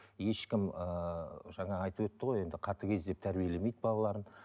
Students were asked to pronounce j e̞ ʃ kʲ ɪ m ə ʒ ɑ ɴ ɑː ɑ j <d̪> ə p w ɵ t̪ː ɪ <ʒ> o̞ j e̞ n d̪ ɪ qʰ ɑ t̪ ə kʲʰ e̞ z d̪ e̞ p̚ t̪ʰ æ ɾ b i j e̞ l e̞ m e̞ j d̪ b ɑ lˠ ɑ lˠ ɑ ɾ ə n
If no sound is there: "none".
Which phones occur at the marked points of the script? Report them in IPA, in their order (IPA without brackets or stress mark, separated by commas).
t̪, ʁ